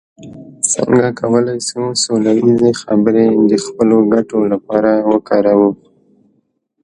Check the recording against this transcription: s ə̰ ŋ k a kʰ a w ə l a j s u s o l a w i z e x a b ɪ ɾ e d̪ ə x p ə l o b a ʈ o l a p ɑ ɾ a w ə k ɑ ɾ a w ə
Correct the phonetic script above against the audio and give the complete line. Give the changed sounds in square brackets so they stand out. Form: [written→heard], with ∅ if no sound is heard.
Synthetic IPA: s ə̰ ŋ [k→ɡ] a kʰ a w ə l a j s u s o l a w i z e x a b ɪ ɾ e d̪ ə x p ə l o [b→ɡ] a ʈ o l a p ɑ ɾ a w ə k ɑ ɾ a w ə